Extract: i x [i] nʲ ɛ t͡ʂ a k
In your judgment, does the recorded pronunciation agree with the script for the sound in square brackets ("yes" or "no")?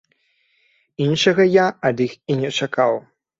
yes